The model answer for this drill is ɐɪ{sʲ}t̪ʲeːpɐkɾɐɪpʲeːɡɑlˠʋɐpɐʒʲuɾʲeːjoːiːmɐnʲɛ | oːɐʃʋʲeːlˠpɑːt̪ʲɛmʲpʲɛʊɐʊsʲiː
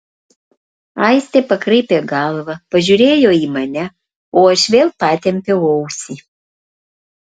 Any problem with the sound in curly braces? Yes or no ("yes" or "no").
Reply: no